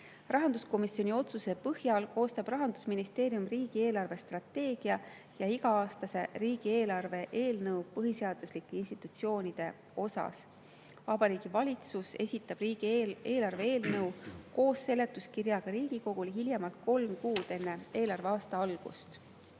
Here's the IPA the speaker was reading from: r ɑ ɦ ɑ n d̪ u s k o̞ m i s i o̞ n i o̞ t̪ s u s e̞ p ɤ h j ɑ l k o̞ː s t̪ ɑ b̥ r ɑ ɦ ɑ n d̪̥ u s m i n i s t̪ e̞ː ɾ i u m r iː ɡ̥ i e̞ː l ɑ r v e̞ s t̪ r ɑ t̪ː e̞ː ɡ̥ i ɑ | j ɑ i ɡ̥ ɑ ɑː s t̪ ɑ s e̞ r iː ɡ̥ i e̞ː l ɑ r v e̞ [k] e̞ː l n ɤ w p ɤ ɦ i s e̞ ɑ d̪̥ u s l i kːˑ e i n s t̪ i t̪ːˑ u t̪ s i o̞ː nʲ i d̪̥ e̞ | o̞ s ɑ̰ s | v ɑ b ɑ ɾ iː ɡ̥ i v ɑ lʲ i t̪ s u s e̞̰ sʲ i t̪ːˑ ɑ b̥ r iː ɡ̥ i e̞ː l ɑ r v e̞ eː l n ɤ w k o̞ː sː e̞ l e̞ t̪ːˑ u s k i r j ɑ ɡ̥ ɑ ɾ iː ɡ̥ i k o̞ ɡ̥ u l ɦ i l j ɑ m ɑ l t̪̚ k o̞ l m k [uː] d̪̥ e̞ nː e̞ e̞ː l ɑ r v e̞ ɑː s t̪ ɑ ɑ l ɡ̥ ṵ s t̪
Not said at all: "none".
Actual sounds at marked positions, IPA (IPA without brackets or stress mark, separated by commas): ʔ, uː